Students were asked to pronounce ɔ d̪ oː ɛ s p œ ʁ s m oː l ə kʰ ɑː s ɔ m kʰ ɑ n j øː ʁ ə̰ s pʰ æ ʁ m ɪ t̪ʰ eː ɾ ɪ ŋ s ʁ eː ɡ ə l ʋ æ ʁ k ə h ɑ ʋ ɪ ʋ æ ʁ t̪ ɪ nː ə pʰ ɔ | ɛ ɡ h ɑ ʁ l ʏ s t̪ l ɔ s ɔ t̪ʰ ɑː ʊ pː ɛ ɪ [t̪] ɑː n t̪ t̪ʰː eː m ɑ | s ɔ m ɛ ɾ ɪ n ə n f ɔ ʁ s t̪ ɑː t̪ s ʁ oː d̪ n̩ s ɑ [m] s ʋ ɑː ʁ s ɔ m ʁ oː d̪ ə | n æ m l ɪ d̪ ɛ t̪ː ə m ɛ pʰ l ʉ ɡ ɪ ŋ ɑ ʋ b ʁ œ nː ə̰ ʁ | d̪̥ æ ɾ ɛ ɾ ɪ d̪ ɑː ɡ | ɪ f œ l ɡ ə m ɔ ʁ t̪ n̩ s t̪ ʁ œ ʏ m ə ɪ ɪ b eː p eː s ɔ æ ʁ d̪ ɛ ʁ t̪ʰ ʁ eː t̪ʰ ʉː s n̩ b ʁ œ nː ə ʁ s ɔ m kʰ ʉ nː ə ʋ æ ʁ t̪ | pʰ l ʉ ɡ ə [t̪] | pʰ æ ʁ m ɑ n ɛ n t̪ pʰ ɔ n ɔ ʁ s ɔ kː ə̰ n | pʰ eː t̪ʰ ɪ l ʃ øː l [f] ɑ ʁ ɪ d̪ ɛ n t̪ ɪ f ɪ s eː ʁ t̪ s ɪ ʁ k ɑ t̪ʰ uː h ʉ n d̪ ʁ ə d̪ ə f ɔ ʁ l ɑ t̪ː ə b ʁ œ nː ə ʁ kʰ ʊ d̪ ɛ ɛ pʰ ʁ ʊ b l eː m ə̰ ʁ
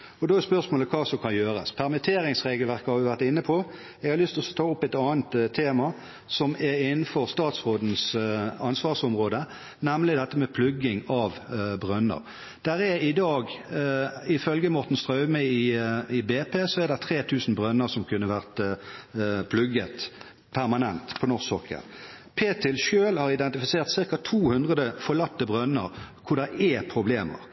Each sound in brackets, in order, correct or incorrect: correct, incorrect: n, correct, incorrect: h

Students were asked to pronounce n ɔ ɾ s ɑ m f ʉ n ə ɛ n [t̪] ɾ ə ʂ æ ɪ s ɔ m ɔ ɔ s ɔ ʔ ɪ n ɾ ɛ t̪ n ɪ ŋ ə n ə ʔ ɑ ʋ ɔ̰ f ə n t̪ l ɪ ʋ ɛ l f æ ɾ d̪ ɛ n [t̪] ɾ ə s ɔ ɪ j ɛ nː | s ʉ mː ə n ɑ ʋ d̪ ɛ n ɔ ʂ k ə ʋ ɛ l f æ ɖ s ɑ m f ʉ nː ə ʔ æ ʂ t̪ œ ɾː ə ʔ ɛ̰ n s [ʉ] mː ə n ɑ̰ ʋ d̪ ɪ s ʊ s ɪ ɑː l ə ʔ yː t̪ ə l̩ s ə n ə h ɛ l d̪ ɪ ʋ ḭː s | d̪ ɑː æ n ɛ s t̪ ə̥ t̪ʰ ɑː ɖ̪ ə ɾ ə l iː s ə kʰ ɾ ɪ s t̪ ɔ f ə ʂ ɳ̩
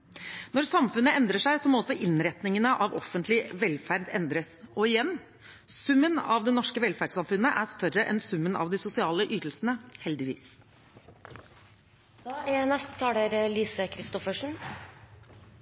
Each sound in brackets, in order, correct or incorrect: incorrect: d̪, incorrect: d̪, correct

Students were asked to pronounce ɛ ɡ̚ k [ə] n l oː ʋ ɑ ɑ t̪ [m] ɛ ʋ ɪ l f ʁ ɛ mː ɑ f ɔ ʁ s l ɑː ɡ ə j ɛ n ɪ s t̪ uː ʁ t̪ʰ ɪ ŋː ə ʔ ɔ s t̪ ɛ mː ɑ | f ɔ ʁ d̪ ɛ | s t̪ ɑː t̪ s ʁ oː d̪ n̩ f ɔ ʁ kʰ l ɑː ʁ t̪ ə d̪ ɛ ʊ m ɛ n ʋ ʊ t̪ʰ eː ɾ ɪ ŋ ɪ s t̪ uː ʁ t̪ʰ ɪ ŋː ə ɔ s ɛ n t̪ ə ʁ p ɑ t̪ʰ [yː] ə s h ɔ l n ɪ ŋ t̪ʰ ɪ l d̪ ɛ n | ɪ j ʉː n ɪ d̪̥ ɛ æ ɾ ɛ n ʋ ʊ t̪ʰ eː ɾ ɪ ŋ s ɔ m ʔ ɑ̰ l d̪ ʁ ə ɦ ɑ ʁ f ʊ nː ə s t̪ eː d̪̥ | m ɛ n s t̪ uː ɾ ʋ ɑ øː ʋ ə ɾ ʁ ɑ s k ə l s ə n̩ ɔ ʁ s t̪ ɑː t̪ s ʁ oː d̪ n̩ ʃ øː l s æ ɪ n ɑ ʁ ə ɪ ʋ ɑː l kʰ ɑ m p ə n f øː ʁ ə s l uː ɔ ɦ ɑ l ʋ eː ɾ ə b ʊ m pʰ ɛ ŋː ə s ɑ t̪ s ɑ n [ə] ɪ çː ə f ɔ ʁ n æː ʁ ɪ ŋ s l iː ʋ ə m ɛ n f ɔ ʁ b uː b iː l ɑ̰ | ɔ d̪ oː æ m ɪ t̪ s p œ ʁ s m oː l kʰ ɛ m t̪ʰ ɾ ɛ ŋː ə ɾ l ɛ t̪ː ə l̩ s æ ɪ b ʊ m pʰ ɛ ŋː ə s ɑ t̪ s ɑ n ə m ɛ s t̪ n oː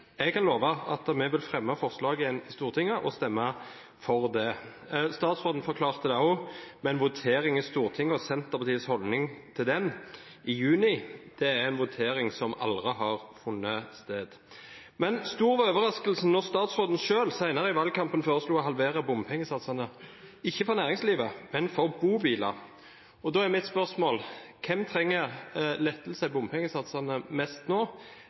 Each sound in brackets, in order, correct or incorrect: incorrect: ɑ, correct, incorrect: iː, correct

